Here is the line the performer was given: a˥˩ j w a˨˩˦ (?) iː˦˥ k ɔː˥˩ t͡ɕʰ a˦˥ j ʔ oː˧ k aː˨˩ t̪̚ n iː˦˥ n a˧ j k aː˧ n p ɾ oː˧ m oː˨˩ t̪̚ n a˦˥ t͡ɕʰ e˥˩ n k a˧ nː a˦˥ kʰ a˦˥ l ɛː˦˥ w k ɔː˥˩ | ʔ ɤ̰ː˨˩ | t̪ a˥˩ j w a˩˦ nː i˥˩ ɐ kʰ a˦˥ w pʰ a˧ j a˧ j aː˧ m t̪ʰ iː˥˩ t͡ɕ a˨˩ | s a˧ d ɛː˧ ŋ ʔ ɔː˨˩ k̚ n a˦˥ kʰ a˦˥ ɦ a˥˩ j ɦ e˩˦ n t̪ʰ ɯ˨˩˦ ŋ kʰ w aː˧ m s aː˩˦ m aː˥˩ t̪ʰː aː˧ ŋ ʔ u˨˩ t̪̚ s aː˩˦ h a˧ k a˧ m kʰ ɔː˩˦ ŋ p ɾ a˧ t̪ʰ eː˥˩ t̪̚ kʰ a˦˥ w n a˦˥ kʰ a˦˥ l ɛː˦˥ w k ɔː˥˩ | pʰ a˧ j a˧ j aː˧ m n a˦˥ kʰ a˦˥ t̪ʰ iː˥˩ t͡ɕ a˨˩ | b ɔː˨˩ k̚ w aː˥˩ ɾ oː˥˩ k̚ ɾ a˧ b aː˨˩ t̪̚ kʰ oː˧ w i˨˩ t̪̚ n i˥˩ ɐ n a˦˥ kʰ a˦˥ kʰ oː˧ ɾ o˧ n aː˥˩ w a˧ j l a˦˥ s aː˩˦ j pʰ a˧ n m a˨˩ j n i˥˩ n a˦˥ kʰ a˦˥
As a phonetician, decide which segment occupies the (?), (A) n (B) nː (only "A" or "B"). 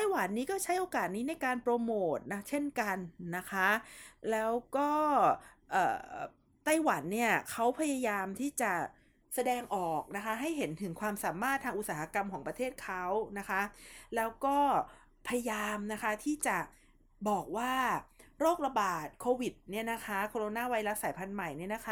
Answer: B